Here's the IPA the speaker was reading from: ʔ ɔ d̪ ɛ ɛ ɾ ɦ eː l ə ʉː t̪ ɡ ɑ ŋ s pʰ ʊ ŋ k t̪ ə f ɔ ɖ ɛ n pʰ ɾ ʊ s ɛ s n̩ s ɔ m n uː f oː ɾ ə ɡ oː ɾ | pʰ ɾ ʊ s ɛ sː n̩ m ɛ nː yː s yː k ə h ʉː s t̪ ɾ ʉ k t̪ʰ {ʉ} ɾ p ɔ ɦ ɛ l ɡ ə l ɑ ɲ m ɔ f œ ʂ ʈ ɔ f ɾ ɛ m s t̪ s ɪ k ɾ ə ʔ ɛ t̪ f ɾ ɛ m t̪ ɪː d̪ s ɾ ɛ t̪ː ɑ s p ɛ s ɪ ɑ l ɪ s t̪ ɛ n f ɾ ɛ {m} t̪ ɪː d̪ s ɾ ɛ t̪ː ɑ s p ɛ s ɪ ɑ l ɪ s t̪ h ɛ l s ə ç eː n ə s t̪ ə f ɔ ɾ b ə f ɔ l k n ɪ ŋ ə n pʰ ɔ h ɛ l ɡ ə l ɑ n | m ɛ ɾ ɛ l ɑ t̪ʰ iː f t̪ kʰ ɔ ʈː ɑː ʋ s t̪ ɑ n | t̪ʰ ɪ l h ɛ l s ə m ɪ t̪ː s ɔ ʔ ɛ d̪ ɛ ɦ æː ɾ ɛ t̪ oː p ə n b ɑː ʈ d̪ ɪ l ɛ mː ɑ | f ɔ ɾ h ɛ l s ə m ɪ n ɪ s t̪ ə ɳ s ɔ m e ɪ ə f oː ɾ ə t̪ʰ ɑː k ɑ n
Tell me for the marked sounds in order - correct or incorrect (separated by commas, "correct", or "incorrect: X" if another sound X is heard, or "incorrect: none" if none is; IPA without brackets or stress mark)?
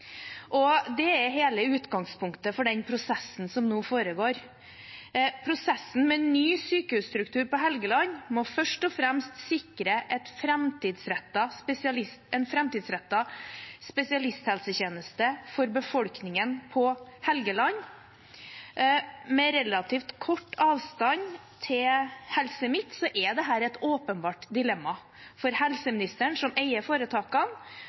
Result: incorrect: ʉː, correct